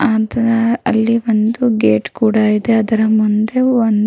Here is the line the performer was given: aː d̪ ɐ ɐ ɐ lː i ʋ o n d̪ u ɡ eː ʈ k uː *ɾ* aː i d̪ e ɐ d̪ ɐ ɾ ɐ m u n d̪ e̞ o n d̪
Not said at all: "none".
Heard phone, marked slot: ɽ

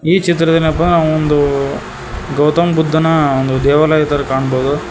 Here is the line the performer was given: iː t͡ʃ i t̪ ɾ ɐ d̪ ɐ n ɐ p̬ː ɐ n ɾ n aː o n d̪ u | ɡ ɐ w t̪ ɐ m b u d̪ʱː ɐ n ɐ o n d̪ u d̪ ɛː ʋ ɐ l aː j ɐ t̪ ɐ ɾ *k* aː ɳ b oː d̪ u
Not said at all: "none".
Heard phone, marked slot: k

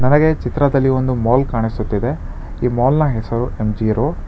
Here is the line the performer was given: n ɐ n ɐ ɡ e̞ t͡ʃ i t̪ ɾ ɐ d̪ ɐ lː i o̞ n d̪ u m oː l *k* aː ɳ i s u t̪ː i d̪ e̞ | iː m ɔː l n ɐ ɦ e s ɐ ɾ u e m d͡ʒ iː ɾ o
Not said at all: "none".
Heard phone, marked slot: k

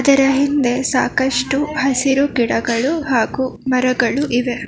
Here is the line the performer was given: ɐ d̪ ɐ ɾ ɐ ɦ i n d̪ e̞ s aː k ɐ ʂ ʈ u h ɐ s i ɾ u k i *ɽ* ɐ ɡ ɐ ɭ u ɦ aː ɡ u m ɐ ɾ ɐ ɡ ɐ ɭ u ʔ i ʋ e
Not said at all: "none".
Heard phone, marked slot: ɽ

